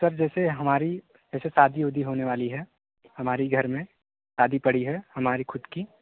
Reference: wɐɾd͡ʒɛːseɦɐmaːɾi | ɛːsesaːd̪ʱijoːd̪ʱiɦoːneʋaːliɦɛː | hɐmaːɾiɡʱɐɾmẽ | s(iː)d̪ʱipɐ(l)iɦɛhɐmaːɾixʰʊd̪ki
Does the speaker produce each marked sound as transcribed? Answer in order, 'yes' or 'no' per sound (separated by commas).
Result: no, no